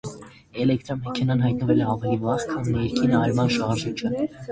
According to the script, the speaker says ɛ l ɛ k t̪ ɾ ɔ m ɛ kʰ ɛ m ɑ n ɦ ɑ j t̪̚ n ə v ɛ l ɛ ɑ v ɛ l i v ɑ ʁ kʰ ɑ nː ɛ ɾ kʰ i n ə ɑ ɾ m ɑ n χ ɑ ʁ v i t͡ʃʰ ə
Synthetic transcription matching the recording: ɛ l ɛ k t̪ ɾ ɔ m ɛ kʰ ɛ n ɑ n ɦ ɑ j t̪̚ n ə v ɛ l ɛ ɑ v ɛ l i v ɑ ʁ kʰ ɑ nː ɛ ɾ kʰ i n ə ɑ ɾ m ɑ n ʃ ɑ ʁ ʒ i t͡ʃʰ ə